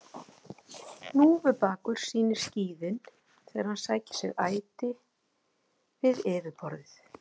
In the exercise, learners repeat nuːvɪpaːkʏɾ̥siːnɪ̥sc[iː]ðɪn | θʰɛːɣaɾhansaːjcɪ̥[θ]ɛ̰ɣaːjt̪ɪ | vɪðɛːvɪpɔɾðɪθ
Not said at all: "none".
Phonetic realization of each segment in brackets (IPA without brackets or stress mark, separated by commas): iː, s